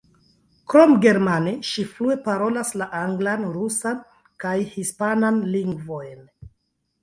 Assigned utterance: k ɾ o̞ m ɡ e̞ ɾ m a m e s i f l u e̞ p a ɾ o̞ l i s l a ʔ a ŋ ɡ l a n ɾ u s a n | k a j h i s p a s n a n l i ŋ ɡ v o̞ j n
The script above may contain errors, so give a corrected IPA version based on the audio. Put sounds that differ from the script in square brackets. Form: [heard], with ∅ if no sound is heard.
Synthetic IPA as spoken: k ɾ o̞ m ɡ e̞ ɾ m a [n] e [ʃ] i f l u e̞ p a ɾ o̞ l [a] s l a ʔ a ŋ ɡ l a n ɾ u s a n | k a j h i s p a [∅] n a n l i ŋ ɡ v o̞ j n